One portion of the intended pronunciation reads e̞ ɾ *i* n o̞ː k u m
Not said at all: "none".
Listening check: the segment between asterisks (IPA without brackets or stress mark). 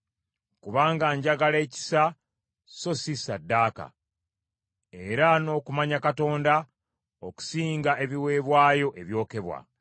a